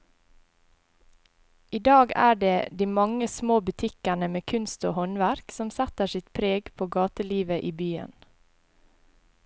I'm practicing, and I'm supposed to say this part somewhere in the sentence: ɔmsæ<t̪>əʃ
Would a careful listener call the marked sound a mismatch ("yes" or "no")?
no